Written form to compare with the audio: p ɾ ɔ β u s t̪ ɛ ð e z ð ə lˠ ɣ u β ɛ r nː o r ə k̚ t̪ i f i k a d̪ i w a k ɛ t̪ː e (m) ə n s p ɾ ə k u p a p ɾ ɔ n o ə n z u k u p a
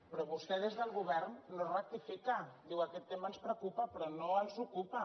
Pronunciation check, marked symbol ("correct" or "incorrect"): correct